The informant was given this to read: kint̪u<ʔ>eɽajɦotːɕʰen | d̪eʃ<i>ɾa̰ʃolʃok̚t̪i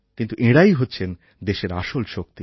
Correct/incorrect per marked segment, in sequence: correct, incorrect: e

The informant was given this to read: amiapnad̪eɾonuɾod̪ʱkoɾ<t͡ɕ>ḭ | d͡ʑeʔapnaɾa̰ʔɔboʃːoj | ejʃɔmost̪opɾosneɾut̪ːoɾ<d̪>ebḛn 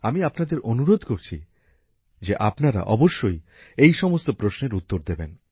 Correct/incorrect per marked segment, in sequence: incorrect: t͡ɕʰ, correct

